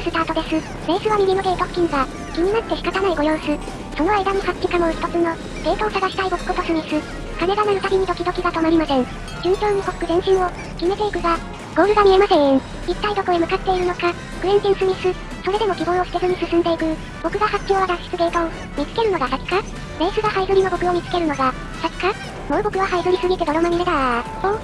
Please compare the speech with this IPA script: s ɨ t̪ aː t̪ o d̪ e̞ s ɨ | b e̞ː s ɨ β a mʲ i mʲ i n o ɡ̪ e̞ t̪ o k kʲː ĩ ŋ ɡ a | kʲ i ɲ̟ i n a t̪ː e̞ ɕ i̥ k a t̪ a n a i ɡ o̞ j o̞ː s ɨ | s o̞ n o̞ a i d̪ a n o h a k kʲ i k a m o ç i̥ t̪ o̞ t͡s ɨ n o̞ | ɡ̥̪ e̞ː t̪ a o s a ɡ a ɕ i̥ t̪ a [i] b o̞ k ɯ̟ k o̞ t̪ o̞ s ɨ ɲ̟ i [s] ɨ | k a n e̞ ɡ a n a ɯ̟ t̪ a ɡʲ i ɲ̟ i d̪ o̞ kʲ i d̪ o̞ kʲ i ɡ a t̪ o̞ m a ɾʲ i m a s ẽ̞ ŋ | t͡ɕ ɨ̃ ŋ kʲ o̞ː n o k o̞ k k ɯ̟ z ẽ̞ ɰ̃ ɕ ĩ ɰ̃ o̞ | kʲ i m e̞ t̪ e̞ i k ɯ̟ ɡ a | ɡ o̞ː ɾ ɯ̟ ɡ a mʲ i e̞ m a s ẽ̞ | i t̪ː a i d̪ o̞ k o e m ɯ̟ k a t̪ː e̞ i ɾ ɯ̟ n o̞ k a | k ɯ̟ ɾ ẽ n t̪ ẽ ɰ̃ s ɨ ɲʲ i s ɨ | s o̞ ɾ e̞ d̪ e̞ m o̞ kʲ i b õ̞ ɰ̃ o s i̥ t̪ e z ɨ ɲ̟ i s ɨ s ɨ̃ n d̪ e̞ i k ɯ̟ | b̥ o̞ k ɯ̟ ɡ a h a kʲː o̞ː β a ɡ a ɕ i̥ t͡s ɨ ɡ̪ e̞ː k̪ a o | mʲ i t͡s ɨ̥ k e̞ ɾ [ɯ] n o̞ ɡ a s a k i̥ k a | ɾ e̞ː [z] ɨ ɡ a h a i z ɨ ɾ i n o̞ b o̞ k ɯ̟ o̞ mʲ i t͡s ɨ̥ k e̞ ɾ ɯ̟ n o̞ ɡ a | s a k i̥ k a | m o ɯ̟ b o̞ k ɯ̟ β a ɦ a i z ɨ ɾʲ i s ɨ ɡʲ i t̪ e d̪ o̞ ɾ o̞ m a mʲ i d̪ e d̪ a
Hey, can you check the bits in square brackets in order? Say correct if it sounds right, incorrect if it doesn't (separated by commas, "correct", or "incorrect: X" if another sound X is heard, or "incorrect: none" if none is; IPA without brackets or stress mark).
correct, correct, correct, incorrect: s